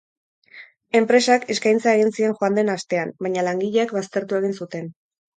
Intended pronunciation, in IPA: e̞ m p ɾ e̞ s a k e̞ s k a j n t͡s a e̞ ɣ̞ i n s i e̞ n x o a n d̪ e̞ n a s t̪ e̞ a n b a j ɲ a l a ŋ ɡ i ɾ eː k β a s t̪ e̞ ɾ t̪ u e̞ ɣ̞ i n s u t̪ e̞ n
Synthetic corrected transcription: e̞ m p ɾ e̞ s a k e̞ s k a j n t͡s a e̞ ɣ̞ i n s i e̞ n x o a n d̪ e̞ n a s t̪ e̞ a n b a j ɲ a l a ŋ ɡ i ʎ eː k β a s t̪ e̞ ɾ t̪ u e̞ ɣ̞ i n s u t̪ e̞ n